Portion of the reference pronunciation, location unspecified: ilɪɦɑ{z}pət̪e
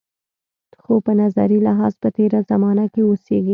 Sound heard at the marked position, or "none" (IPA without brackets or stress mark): z